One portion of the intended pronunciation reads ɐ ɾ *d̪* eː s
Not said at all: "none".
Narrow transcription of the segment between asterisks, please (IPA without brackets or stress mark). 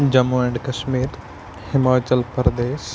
d̪